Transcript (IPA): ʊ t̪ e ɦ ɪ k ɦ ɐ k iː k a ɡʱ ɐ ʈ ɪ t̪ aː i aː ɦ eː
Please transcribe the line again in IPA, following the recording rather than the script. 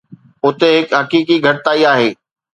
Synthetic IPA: ʊ t̪ e ɦ ɪ k ɦ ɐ k iː k i ɡʱ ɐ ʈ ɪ t̪ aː i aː ɦ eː

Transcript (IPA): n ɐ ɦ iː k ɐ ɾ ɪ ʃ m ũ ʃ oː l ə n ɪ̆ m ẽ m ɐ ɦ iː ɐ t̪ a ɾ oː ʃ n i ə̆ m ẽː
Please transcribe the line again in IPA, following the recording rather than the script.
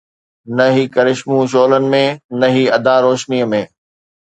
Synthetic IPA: n ɐ ɦ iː k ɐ ɾ ɪ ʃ m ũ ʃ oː l ə n ɪ̆ m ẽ n ɐ ɦ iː ɐ d̪ a ɾ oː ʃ n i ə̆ m ẽː

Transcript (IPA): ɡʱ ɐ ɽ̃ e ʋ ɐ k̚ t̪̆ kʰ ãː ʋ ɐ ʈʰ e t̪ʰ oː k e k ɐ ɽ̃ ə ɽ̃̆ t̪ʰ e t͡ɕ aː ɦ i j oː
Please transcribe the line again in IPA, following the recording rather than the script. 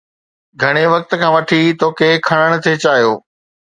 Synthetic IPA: ɡʱ ɐ ɽ̃ e ʋ ɐ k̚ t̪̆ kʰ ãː ʋ ɐ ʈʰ i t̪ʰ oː k e kʰ ɐ ɽ̃ ə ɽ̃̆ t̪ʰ e t͡ɕ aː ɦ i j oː

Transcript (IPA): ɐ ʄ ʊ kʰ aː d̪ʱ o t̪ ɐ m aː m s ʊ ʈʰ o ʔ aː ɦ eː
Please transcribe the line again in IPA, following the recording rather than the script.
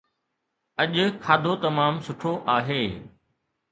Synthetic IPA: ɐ ʄ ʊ kʰ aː d̪ʱ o t̪ ɐ m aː m s ʊ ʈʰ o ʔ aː ɦ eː

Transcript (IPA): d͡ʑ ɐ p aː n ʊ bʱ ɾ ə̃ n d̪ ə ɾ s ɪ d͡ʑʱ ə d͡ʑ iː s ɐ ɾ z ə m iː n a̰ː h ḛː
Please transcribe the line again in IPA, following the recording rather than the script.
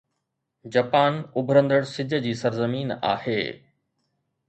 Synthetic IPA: d͡ʑ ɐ p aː n ʊ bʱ ɾ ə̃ n d̪ ə ɽ s ɪ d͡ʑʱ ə d͡ʑ iː s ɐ ɾ z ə m iː n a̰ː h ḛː

